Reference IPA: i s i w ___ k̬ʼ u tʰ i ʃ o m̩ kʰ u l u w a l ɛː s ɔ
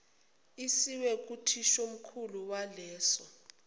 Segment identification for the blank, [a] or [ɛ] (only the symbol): ɛ